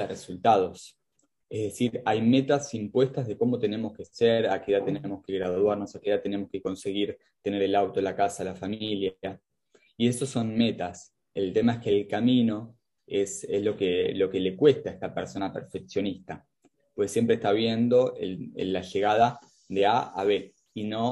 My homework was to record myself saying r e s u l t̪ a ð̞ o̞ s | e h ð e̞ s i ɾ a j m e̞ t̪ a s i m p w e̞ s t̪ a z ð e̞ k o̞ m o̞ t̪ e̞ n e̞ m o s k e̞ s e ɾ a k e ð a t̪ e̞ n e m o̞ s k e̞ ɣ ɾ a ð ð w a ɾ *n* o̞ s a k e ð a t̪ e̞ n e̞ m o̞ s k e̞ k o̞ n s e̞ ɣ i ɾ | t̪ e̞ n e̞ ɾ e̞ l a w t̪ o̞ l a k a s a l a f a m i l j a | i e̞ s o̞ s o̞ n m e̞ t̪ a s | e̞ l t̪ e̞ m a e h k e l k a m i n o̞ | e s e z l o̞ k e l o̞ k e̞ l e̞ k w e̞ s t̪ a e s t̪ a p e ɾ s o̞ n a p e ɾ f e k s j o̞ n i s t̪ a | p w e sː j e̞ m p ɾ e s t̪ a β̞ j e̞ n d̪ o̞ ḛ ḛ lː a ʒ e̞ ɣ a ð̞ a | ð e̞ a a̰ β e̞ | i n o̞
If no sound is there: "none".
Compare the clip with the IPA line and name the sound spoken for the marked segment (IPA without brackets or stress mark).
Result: n